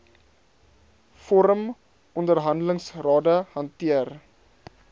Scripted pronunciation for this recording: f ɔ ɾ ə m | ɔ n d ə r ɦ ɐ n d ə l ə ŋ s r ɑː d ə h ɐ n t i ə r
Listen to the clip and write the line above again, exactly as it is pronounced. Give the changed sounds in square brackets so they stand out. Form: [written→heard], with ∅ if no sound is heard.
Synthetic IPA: f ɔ ɾ ə m | ɔ n d ə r ɦ ɐ n d ə l ə ŋ s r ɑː d ə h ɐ n t i ə r